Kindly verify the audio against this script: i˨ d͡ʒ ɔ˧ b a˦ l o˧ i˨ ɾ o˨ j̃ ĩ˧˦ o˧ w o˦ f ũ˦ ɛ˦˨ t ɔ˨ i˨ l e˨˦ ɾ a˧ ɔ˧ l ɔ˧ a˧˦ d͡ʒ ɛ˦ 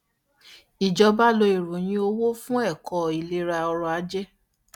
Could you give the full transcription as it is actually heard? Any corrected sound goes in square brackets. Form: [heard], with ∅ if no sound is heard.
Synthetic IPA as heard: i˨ d͡ʒ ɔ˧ b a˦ l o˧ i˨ ɾ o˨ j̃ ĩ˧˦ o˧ w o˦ f ũ˦ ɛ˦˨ [k] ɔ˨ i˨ l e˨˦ ɾ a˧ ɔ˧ [ɾ] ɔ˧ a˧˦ d͡ʒ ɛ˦